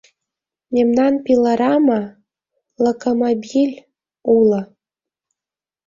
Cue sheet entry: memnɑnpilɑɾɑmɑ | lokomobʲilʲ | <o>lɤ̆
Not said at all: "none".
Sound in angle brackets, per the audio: u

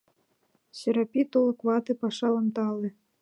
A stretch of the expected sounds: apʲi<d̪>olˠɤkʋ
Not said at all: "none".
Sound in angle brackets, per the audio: t̪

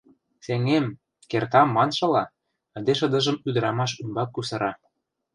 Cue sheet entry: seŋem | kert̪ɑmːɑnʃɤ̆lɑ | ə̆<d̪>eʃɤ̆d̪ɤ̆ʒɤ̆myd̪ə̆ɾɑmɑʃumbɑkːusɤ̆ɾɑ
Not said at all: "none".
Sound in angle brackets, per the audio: d̪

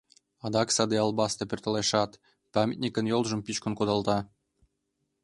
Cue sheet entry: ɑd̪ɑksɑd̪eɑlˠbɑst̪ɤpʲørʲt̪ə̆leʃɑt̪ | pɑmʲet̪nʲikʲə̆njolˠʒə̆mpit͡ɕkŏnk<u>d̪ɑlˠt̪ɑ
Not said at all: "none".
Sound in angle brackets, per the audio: o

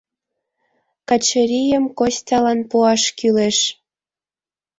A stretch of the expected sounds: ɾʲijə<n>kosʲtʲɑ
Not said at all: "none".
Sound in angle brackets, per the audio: m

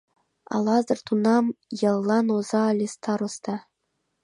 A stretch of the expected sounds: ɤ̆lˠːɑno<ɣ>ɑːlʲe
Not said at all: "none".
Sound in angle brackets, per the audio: z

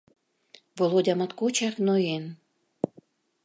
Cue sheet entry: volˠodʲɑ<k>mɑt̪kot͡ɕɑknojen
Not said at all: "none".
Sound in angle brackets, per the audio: none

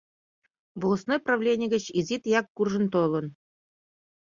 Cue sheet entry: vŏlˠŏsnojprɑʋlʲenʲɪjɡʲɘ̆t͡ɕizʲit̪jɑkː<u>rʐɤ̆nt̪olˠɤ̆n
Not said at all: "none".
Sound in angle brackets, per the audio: u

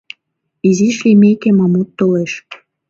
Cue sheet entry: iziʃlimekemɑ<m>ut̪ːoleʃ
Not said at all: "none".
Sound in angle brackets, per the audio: m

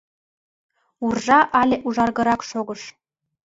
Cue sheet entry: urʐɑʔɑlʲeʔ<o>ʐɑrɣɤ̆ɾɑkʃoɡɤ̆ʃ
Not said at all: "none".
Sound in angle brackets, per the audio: u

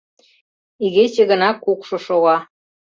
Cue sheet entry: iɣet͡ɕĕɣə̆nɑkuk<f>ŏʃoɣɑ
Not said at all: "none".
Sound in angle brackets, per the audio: ʃ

